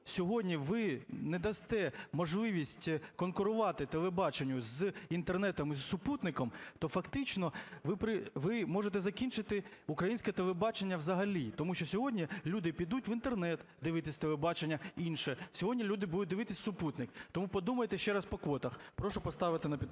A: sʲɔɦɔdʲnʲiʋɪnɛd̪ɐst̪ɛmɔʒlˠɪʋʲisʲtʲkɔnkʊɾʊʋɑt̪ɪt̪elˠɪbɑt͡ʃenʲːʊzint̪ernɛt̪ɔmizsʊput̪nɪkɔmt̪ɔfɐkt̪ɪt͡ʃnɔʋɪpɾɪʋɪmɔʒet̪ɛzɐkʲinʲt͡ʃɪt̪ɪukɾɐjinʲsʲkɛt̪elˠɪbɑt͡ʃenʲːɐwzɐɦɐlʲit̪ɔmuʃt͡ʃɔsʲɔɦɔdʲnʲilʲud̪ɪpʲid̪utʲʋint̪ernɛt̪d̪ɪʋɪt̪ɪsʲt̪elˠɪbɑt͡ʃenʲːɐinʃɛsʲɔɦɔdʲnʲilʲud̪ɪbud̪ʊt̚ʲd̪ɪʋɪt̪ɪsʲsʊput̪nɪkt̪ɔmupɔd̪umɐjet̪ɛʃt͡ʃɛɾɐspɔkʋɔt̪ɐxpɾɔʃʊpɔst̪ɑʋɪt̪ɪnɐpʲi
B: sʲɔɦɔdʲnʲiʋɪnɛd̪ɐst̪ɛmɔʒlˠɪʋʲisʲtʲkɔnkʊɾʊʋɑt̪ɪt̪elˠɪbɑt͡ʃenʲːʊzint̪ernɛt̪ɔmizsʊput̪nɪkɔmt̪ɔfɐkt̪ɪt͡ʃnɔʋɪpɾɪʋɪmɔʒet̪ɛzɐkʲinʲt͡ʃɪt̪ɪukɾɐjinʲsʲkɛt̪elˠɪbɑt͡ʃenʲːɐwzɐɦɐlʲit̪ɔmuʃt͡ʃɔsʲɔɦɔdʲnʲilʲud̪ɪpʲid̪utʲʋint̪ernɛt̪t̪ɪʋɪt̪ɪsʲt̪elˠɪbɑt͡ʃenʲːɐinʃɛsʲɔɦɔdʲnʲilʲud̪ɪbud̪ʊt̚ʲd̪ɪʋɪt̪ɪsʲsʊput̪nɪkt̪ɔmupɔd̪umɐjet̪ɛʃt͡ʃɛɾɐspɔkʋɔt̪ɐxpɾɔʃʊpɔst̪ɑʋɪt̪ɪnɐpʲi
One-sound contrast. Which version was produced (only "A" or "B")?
A